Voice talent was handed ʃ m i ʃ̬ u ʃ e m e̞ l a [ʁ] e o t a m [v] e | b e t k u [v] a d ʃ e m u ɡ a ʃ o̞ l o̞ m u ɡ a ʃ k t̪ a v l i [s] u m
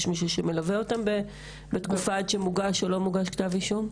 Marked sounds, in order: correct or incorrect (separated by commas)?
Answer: incorrect, incorrect, incorrect, incorrect